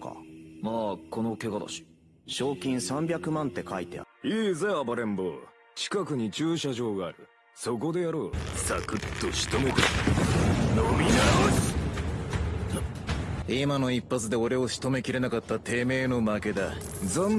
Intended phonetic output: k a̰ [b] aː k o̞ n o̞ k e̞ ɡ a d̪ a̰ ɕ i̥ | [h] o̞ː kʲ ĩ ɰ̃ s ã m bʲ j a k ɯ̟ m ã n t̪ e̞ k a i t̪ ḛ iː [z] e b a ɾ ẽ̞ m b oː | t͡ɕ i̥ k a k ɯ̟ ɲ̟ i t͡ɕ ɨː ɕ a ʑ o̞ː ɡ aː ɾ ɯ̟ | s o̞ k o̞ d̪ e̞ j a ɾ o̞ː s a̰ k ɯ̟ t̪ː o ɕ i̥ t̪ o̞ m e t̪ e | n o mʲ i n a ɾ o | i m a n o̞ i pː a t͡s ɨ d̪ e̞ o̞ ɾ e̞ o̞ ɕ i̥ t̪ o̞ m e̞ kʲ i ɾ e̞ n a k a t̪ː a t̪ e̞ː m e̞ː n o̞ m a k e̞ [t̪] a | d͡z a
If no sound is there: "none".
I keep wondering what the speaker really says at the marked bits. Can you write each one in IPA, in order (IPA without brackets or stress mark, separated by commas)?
m, ɕ, z, d̪